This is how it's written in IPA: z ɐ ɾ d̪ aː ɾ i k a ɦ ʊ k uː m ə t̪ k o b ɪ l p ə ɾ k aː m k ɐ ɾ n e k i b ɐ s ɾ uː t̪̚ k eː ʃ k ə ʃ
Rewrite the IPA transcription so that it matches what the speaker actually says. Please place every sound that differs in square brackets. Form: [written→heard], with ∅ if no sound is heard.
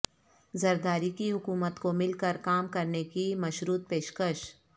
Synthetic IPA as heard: z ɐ ɾ d̪ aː ɾ i k [a→i] ɦ ʊ k uː m ə t̪ k o [b→m] ɪ l [p→k] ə ɾ k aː m k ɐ ɾ n e k i [b→m] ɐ [s→ʃ] ɾ uː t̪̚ [k→p] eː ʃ k ə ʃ